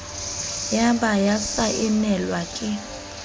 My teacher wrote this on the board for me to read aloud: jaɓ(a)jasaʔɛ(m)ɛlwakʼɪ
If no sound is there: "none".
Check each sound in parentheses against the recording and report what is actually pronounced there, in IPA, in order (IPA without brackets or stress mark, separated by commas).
a, n